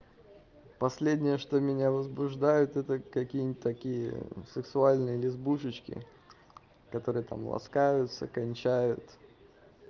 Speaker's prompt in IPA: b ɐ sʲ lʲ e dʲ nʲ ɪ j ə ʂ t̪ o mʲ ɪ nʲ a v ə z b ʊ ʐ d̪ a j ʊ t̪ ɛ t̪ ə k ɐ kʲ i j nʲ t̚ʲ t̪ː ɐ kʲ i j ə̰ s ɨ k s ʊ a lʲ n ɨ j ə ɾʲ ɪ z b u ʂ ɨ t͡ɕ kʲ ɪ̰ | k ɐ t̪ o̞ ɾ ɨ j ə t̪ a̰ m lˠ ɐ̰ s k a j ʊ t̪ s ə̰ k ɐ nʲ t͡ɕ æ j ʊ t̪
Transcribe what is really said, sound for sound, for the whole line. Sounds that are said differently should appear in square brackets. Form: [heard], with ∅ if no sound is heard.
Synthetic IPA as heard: [p] ɐ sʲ lʲ e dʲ nʲ ɪ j ə ʂ t̪ o mʲ ɪ nʲ a v ə z b ʊ ʐ d̪ a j ʊ t̪ ɛ t̪ ə k ɐ kʲ i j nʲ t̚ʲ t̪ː ɐ kʲ i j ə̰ s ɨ k s ʊ a lʲ n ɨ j ə [lʲ] ɪ z b u ʂ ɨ t͡ɕ kʲ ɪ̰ | k ɐ t̪ o̞ ɾ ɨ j ə t̪ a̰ m lˠ ɐ̰ s k a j ʊ t̪ s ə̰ k ɐ nʲ t͡ɕ æ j ʊ t̪